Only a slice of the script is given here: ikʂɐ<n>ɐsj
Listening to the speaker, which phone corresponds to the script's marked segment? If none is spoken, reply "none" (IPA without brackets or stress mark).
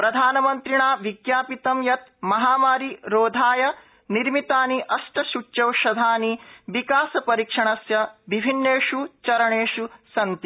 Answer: ɳ